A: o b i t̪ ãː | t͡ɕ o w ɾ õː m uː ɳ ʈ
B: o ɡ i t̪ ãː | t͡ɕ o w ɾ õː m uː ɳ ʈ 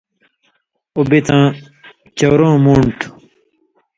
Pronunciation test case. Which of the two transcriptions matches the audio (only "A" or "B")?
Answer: A